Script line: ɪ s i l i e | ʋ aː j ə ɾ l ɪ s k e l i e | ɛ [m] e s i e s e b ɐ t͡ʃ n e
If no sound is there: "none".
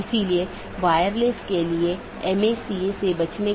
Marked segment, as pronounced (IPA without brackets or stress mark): m